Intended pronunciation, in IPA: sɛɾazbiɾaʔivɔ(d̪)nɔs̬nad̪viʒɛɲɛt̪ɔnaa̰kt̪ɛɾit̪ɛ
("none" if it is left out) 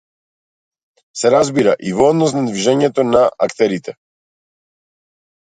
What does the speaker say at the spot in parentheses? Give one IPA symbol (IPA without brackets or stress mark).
d̪